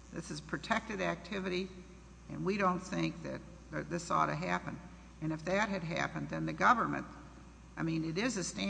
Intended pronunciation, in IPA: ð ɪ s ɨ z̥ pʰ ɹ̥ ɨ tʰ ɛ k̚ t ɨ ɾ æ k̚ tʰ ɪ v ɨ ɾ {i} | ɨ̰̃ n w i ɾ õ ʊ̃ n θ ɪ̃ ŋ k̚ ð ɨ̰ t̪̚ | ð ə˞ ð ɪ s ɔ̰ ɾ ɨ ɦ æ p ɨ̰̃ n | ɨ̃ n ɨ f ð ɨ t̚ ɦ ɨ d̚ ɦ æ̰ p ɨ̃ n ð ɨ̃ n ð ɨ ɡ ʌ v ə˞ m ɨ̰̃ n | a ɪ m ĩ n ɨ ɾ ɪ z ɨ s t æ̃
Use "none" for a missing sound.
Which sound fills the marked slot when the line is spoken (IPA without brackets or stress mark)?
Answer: i